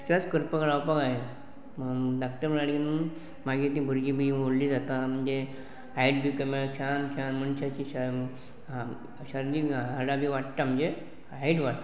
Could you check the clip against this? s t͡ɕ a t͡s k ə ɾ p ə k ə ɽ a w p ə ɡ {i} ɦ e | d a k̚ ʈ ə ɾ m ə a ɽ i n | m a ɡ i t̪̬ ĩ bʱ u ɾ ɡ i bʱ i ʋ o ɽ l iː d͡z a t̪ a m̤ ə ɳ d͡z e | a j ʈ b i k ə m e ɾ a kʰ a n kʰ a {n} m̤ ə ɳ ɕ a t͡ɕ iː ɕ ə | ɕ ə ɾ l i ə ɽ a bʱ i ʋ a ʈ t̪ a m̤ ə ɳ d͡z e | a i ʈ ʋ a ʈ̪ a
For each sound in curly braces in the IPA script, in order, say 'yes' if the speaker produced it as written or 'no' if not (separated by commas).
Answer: no, yes